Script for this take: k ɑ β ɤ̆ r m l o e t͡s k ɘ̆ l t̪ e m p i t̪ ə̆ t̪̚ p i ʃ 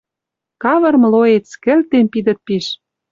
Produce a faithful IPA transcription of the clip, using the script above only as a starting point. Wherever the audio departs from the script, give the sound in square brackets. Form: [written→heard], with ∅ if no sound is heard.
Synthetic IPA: k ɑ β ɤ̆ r m l o e t͡s k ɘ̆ l t̪ e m p i [t̪→d̪] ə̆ t̪̚ p i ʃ